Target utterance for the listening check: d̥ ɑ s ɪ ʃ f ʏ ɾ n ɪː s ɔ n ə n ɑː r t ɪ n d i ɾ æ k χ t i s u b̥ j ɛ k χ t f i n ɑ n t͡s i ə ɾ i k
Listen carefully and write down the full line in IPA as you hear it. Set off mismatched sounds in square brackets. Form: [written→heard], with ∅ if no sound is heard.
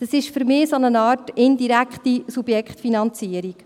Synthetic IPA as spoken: d̥ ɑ s ɪ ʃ f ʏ ɾ [n→m] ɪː s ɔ n ə n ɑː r t ɪ n d i ɾ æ k χ t i s u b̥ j ɛ k χ t f i n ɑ n t͡s i ə ɾ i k